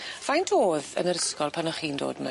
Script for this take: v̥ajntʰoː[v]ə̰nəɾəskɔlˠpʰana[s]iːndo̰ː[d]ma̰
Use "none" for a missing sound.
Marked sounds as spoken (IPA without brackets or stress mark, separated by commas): ð, χ, d